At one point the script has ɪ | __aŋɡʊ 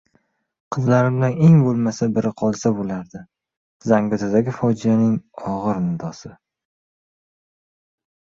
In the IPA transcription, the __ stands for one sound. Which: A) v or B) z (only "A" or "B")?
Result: B